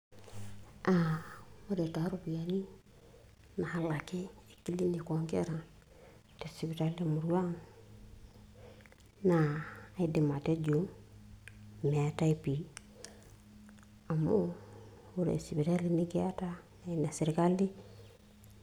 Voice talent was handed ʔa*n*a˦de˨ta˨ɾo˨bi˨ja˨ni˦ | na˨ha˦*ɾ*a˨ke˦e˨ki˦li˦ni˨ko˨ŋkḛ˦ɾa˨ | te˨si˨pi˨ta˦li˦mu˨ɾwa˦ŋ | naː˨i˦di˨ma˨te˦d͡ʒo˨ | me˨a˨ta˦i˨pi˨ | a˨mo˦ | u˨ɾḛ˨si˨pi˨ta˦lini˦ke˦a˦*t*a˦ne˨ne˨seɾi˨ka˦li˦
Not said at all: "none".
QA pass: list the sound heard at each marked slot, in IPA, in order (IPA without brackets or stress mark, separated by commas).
m, l, t